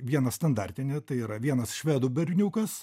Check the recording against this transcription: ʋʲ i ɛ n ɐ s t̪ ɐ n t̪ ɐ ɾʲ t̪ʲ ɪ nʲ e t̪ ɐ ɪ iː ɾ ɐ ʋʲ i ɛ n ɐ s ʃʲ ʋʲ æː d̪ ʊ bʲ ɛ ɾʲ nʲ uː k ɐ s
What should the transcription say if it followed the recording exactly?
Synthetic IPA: ʋʲ i ɛ n ɐ s t̪ ɐ n d̪ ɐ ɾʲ t̪ʲ ɪ nʲ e t̪ ɐ ɪ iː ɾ ɐ ʋʲ i ɛ n ɐ s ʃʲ ʋʲ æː d̪ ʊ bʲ ɛ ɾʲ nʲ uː k ɐ s